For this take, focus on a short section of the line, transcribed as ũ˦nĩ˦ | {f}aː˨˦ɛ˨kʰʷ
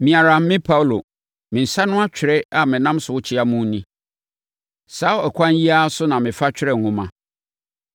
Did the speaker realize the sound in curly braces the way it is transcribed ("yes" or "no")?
no